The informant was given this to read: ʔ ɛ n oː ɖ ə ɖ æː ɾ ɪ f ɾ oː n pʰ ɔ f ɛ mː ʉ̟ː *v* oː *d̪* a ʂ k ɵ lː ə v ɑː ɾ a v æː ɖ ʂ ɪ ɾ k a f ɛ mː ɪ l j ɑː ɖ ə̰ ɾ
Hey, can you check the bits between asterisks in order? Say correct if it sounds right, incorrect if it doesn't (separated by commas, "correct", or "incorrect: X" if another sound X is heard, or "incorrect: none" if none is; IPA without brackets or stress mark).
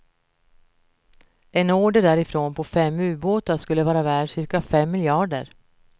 incorrect: b, incorrect: t̪